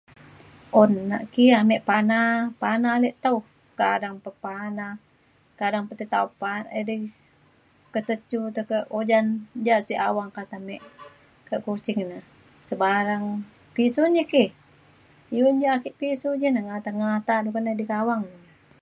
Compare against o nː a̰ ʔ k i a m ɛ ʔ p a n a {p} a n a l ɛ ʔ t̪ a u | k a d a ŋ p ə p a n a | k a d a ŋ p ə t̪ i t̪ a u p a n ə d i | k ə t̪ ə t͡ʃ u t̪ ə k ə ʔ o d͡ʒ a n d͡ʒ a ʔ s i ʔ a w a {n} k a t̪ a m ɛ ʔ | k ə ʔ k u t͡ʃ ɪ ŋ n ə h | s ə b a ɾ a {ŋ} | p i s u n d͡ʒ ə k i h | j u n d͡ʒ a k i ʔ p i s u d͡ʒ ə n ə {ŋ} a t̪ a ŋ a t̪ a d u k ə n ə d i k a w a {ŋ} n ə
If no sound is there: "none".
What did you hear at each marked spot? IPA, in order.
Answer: p, ŋ, ŋ, ŋ, ŋ

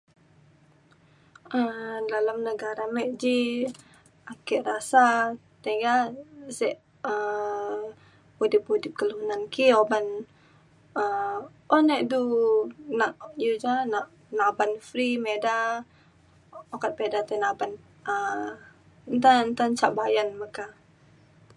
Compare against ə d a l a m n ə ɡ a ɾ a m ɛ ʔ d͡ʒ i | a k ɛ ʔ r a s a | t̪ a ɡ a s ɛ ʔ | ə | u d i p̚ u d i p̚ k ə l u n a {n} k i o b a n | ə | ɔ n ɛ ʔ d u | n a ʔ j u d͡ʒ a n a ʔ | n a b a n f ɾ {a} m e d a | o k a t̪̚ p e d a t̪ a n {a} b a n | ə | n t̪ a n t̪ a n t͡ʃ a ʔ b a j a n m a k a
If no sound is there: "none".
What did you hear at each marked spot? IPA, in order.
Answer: n, i, a

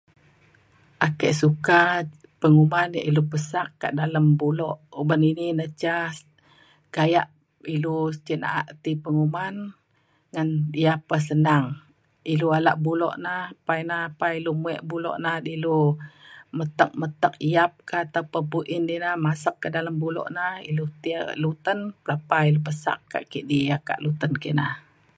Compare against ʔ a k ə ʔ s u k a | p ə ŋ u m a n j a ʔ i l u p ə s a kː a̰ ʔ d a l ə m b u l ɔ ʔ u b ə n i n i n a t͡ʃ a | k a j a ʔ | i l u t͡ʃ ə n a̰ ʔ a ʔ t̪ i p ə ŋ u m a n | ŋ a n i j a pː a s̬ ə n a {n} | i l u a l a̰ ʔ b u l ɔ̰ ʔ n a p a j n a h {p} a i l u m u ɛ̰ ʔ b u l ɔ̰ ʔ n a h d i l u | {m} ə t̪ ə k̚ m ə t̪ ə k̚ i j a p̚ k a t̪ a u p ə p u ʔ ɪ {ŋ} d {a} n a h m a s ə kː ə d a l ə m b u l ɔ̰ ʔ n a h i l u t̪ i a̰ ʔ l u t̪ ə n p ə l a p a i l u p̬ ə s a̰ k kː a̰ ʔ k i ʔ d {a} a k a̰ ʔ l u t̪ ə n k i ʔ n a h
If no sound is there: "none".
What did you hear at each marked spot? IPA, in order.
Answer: ŋ, p, m, n, i, i

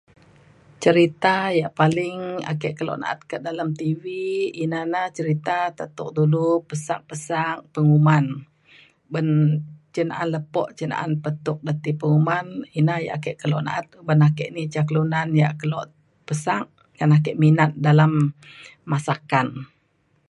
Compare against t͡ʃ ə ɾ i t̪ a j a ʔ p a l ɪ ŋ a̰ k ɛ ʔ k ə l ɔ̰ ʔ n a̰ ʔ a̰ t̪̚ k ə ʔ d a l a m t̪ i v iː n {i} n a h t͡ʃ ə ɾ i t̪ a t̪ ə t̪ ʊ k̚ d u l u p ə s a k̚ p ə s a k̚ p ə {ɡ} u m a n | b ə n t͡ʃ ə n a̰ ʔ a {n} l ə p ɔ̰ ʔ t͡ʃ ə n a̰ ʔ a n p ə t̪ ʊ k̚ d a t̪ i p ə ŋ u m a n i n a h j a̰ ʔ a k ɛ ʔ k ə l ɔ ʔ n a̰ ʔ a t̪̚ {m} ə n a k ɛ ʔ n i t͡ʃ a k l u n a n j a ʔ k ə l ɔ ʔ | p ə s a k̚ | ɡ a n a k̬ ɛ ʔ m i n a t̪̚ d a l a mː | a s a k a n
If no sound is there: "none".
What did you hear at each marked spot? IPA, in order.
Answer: a, ŋ, n, b

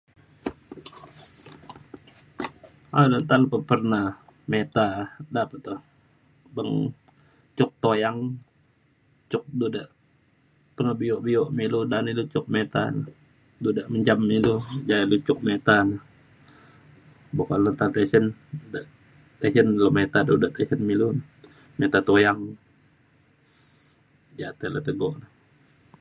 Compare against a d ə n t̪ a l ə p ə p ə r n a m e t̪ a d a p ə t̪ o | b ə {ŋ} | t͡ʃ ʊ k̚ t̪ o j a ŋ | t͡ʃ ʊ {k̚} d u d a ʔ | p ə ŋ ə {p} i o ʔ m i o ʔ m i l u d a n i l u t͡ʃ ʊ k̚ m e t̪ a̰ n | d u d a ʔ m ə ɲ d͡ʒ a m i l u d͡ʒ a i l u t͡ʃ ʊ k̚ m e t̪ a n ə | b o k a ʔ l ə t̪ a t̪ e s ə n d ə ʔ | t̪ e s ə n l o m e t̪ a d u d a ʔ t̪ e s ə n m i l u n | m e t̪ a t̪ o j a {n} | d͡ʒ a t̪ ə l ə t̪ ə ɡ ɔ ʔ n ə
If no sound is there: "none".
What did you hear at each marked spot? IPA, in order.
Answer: ŋ, k̚, b, ŋ

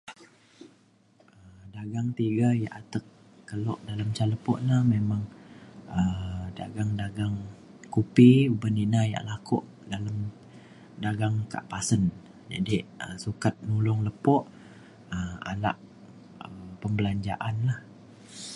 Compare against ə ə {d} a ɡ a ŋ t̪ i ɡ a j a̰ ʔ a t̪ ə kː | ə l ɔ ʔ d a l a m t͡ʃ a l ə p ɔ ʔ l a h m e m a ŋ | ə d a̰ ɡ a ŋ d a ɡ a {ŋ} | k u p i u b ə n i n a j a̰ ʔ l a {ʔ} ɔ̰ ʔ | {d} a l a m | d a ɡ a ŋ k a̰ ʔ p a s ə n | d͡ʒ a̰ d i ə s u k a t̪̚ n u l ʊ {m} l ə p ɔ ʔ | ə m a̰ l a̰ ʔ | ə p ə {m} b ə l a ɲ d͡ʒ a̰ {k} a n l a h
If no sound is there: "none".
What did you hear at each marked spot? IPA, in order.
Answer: d, ŋ, k, d, ŋ, m, ʔ

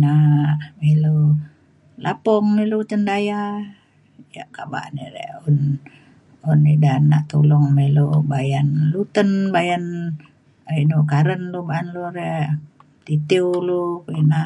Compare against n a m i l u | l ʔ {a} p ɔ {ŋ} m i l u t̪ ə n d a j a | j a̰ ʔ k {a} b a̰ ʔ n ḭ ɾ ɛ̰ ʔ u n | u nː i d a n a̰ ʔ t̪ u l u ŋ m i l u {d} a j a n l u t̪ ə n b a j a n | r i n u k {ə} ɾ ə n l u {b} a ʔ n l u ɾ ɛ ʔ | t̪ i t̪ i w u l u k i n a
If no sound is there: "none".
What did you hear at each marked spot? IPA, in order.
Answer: a, ŋ, a, b, a, b

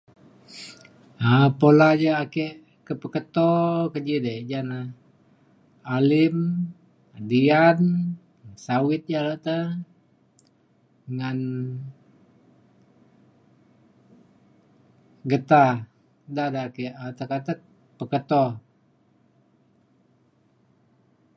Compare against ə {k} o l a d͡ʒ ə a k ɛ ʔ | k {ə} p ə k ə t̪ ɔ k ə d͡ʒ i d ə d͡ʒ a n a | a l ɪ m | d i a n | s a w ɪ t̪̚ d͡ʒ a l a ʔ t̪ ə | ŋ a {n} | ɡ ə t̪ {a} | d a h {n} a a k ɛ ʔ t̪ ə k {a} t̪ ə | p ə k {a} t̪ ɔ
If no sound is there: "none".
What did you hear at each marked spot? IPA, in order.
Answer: p, ə, n, a, d, a, ə

